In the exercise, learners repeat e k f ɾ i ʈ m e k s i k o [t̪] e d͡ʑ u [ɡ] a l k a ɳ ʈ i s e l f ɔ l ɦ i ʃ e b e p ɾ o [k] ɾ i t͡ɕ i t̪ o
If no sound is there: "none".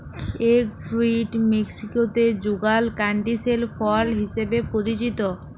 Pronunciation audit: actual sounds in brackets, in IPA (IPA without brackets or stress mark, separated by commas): t̪, ɡ, none